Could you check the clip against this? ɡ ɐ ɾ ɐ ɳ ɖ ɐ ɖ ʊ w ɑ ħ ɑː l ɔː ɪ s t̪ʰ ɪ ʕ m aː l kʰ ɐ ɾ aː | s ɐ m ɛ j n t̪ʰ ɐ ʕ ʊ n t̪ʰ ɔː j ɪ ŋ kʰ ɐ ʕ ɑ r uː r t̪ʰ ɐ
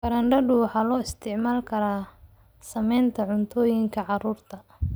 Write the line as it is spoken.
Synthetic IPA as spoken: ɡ ɐ ɾ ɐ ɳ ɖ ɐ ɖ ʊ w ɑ ħ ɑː l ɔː ɪ s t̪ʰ ɪ ʕ m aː l kʰ ɐ ɾ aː | s ɐ m ɛ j n t̪ʰ ɐ ʕ ʊ n t̪ʰ ɔː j ɪ ŋ kʰ ɐ ʕ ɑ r uː r t̪ʰ ɐ